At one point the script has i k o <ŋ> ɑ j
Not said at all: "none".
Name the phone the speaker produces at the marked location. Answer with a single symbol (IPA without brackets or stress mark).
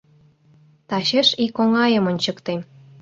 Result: ŋ